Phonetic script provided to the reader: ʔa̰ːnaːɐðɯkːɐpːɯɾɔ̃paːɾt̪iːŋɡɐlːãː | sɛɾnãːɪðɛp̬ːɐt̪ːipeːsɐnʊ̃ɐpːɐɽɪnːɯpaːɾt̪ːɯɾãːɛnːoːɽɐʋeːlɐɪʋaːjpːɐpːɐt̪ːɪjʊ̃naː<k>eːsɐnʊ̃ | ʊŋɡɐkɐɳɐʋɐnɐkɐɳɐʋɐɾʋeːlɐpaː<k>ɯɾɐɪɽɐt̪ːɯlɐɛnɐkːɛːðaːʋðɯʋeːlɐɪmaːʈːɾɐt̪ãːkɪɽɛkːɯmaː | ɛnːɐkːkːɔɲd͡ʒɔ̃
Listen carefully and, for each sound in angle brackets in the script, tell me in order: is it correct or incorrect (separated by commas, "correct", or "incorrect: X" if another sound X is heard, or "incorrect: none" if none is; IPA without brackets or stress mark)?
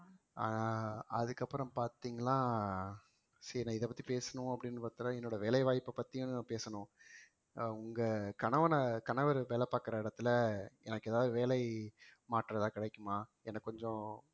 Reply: incorrect: p, correct